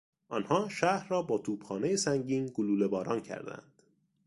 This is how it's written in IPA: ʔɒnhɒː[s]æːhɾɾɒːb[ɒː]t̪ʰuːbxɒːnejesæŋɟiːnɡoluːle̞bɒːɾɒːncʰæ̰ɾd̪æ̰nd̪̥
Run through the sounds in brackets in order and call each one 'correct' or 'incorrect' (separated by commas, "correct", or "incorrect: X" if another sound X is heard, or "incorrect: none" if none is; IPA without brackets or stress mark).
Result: incorrect: ʃ, correct